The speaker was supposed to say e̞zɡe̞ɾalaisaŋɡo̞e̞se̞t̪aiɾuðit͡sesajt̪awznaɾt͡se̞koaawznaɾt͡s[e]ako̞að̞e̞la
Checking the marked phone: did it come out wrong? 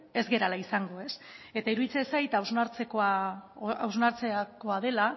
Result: no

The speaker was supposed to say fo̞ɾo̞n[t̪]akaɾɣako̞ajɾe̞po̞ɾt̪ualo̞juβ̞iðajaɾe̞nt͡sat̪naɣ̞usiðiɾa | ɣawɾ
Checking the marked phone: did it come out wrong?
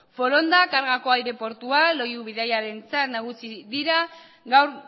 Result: yes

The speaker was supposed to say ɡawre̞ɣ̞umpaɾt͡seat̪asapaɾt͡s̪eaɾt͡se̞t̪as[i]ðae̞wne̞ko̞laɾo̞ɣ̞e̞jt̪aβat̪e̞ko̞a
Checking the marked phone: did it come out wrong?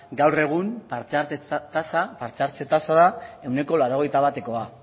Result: yes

